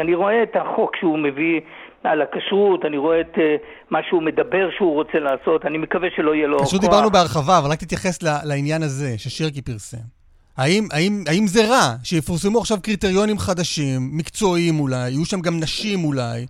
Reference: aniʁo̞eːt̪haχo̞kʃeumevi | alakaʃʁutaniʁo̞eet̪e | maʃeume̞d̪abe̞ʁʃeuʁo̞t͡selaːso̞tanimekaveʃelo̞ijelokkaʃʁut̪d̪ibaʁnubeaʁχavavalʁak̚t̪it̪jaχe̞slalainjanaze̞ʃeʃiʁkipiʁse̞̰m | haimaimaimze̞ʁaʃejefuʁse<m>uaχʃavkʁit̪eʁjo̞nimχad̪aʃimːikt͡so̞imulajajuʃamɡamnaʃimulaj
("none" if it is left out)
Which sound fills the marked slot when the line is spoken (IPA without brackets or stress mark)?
m